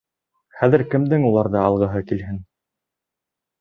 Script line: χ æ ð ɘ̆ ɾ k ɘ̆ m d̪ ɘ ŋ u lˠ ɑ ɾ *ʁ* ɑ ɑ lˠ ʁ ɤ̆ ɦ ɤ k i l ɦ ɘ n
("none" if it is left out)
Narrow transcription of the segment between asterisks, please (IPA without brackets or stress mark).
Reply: ð